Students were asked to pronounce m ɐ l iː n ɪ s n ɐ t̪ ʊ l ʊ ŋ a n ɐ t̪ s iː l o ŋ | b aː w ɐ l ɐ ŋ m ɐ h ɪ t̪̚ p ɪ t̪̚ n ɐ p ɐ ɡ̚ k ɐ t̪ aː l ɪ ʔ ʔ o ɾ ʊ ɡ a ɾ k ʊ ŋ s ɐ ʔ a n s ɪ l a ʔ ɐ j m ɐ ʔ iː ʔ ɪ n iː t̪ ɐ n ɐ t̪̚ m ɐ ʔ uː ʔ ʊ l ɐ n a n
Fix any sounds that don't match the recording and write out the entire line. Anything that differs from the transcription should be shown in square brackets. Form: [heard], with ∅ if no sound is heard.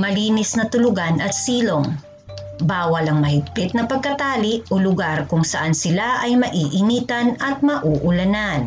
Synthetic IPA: m ɐ l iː n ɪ s n ɐ t̪ ʊ l ʊ [ɡ] a n ɐ t̪ s iː l o ŋ | b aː w ɐ l ɐ ŋ m ɐ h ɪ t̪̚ p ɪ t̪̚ n ɐ p ɐ ɡ̚ k ɐ t̪ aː l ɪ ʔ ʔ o [l] ʊ ɡ a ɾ k ʊ ŋ s ɐ ʔ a n s ɪ l a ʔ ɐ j m ɐ ʔ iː ʔ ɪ n iː t̪ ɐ n ɐ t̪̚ m ɐ ʔ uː ʔ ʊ l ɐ n a n